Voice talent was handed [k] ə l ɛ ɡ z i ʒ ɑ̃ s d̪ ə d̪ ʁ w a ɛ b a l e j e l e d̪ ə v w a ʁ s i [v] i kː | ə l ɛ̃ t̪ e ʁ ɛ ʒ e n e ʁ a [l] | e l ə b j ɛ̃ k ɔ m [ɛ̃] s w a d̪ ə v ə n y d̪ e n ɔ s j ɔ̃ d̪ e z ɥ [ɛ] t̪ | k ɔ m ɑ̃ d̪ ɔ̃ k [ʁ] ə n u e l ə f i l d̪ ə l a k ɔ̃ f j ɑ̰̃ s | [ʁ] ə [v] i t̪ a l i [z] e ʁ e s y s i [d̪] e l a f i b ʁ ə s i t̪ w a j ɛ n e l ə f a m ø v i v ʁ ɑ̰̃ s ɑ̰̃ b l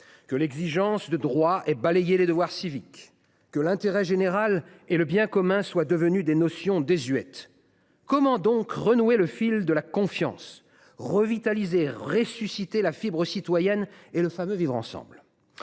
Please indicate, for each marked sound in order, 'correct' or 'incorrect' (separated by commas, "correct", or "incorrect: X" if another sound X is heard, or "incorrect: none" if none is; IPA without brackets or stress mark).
correct, correct, correct, correct, correct, correct, correct, correct, correct, incorrect: t̪